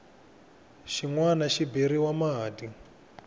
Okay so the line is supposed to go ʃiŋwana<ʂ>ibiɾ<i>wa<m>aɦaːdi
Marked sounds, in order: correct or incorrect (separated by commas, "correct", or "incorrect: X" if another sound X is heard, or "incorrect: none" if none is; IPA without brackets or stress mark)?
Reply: incorrect: ʃ, correct, correct